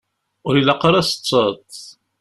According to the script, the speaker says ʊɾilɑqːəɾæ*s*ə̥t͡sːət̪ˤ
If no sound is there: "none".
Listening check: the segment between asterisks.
s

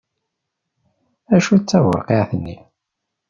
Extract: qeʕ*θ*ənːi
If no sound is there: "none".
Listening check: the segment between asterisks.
θ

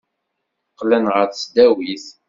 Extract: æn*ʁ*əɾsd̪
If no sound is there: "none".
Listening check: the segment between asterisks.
ʁ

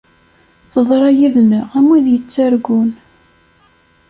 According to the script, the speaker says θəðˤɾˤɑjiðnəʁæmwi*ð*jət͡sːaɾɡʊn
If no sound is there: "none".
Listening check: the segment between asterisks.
ð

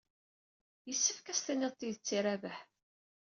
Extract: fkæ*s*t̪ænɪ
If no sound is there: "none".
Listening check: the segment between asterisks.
s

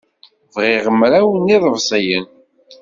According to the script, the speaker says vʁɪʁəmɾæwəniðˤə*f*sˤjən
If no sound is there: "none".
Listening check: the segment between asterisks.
v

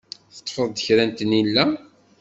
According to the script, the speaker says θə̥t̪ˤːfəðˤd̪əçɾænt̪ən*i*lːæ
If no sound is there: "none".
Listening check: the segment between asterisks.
i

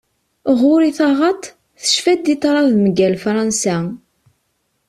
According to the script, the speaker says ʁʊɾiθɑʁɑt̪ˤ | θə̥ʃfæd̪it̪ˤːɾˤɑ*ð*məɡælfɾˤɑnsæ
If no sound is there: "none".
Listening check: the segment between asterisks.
ð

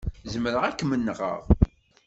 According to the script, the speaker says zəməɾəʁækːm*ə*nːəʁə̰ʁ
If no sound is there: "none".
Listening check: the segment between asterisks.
ə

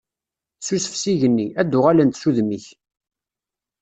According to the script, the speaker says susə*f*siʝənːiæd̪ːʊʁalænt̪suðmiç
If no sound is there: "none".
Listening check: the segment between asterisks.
f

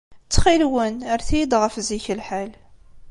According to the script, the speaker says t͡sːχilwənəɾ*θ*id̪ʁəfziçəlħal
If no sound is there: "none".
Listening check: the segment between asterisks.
θ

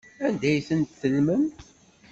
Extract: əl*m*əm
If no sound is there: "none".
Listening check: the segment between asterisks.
m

